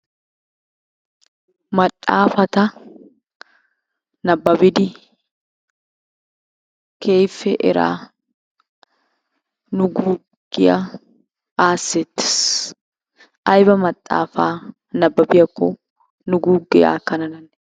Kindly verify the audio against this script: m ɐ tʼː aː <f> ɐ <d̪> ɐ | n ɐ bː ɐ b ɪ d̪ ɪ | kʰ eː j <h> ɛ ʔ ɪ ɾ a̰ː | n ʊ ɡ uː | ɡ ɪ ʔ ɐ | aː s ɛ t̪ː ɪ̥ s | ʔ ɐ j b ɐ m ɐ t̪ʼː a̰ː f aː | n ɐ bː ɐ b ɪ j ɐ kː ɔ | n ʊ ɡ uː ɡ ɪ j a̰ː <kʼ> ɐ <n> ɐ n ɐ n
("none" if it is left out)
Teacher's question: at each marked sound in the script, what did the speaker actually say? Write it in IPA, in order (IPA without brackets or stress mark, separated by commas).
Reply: f, t̪, f, k, n